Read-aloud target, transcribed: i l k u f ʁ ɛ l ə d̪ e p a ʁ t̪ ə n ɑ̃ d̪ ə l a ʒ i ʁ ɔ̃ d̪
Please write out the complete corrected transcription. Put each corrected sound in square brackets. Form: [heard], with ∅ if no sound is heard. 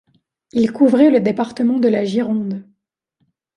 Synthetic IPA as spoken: i l k u [v] ʁ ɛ l ə d̪ e p a ʁ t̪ ə [m] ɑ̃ d̪ ə l a ʒ i ʁ ɔ̃ d̪